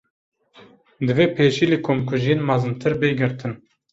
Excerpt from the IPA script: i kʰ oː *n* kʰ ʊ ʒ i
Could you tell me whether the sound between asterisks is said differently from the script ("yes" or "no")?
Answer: yes